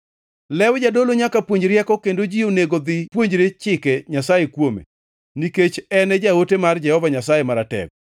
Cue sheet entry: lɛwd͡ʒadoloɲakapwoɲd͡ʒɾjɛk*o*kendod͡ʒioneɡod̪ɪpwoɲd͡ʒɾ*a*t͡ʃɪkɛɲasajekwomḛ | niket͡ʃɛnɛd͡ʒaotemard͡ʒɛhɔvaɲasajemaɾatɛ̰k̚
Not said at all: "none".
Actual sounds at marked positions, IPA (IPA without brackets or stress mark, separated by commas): ɔ, e